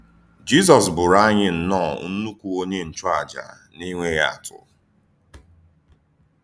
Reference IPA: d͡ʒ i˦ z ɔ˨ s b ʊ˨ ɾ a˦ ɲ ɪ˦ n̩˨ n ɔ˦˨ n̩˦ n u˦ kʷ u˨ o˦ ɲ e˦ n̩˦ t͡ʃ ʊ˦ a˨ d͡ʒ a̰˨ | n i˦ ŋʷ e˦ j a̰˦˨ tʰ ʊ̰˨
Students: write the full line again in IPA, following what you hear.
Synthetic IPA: d͡ʒ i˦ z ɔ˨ s b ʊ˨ ɾ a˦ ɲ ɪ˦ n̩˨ n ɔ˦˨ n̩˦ n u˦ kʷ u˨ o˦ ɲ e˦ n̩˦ t͡ʃ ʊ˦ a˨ d͡ʒ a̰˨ | n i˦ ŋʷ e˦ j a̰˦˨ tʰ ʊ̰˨